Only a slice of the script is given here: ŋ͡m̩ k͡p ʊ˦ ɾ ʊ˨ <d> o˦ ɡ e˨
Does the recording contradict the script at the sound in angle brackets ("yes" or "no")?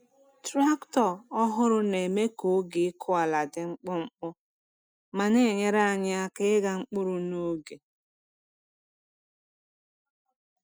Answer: yes